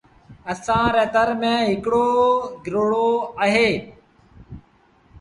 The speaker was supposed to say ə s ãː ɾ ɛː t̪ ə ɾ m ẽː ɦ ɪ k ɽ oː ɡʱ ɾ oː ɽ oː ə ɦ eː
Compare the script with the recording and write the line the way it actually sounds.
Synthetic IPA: ə s ãː ɾ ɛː t̪ ə ɾ m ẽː ɦ ɪ k ɽ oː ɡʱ ɾ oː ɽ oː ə ɦ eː